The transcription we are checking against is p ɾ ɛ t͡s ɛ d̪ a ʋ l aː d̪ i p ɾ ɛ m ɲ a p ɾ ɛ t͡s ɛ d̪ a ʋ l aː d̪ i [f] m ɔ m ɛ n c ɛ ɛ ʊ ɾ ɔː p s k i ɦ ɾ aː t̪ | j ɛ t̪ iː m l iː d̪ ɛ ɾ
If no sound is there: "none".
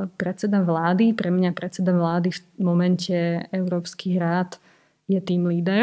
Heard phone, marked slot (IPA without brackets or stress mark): f